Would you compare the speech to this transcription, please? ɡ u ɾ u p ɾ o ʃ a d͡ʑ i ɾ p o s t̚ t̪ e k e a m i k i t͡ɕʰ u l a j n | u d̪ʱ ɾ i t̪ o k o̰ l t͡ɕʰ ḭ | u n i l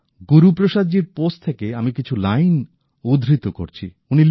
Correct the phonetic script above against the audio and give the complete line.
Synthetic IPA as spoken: ɡ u ɾ u p ɾ o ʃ a d͡ʑ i ɾ p o s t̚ t̪ʰ e k e a m i k i t͡ɕʰ u l a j n | u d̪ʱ ɾ i t̪ o k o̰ ɾ t͡ɕʰ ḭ | u n i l